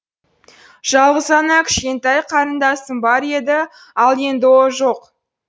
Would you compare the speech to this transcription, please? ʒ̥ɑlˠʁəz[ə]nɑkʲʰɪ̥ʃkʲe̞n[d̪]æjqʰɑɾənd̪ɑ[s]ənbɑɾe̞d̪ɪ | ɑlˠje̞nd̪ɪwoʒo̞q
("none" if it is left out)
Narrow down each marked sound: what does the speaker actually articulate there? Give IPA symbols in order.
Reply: ɑ, t̪, s

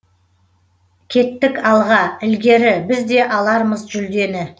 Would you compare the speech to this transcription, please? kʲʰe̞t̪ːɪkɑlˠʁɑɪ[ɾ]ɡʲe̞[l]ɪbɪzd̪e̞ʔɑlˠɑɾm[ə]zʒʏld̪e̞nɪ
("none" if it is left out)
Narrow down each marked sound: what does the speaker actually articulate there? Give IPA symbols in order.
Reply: l, ɾ, ə

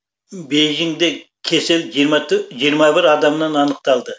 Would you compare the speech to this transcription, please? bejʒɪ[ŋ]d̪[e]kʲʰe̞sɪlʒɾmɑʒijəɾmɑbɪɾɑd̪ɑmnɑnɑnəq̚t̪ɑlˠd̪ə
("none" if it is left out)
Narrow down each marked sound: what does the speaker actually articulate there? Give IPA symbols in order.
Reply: ŋ, e

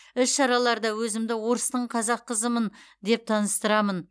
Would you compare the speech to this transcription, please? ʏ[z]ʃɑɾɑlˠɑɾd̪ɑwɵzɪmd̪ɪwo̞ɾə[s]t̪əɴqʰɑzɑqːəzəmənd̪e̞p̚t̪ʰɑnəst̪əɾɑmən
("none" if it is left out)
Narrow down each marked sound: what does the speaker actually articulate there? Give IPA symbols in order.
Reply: s, s

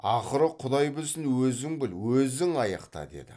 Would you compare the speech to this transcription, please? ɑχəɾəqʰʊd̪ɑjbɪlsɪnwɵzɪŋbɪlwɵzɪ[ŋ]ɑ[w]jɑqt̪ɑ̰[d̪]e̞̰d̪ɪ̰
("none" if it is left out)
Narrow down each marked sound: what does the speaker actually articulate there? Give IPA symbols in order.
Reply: ŋ, none, d̪

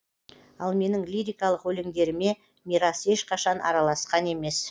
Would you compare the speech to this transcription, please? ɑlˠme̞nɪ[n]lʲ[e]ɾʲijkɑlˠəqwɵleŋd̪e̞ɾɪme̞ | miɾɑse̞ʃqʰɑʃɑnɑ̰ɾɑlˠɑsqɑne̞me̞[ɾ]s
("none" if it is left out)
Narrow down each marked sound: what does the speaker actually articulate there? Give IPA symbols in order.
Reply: ŋ, i, none

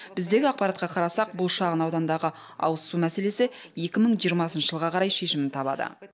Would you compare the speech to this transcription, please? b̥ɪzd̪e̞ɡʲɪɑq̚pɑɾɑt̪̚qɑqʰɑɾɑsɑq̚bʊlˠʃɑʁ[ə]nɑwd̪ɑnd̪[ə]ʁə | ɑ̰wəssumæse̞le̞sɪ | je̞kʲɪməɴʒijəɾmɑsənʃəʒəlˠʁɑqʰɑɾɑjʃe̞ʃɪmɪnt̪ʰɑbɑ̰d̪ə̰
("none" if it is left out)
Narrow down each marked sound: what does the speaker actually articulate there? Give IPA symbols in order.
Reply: ə, ɑ

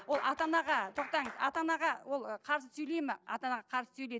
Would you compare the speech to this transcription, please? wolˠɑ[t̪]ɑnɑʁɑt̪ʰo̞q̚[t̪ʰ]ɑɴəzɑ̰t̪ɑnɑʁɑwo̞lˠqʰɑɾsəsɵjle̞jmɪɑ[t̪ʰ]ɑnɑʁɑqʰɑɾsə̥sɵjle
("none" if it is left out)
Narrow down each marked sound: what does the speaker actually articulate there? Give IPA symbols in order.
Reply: t̪, t̪, t̪

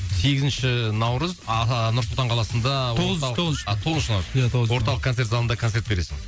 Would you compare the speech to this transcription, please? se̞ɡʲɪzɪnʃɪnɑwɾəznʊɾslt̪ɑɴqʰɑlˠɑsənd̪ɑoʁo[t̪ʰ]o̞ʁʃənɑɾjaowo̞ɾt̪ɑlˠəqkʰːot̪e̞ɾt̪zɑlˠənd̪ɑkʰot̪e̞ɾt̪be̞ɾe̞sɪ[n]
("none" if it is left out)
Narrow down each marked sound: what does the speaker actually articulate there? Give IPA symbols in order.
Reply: t̪ʰ, ŋ

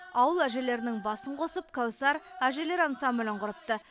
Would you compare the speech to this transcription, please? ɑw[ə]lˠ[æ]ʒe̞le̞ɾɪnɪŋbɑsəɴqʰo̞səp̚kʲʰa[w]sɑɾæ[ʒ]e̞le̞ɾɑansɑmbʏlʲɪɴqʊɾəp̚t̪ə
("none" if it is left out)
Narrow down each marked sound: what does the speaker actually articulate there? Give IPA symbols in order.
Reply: ə, æ, w, ʒ

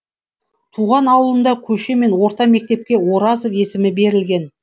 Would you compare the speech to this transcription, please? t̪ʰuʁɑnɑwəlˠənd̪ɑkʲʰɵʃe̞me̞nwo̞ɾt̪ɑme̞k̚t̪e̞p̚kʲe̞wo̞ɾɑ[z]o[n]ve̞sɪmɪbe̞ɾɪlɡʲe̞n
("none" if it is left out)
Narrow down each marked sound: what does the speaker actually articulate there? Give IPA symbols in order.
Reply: z, none

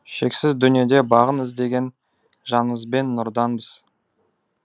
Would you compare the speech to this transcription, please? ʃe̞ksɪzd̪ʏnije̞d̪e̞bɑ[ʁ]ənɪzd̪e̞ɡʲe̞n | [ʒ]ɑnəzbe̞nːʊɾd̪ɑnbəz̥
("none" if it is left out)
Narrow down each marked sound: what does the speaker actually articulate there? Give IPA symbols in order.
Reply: ʁ, ʒ

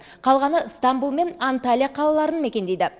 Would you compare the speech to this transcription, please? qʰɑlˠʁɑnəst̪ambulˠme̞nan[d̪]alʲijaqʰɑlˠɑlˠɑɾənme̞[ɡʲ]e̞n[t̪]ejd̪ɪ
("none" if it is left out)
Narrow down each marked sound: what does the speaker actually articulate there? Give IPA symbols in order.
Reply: t̪, kʲ, d̪

